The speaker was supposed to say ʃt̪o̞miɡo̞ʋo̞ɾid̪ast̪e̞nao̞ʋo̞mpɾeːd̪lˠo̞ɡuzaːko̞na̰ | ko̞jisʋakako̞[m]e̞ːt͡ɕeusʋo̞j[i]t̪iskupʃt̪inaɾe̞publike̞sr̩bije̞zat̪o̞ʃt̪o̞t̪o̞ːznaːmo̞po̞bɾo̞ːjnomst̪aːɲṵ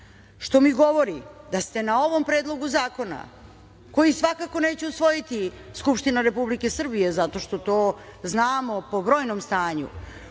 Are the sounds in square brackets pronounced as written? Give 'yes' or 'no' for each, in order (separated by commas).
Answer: no, yes